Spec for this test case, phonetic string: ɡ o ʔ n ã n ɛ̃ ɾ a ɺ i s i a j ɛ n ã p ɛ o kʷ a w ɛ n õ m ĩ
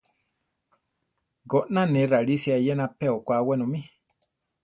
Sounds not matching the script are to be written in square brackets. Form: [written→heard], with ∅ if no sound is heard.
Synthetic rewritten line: ɡ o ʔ n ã n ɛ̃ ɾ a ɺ i s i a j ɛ n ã p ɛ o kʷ a w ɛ n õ m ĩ